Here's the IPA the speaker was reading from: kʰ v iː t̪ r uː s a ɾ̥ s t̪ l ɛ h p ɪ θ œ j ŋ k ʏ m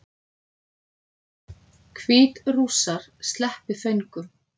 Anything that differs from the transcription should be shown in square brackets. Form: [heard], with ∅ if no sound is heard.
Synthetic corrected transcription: kʰ v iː t̪ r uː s a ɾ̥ s t̪ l ɛ h p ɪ θ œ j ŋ k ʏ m